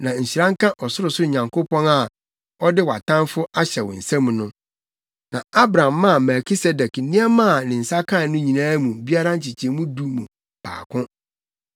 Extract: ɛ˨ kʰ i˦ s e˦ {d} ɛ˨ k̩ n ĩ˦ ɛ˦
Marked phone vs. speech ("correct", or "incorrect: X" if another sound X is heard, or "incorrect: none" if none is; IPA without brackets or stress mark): correct